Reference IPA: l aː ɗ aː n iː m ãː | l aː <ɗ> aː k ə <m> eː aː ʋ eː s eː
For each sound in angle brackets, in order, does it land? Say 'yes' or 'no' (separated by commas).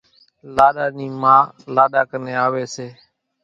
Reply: yes, no